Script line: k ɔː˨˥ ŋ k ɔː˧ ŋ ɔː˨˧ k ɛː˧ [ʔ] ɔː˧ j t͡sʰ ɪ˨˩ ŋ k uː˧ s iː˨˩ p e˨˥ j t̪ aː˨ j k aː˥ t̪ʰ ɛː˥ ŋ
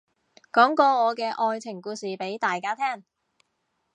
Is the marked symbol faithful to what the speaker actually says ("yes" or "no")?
yes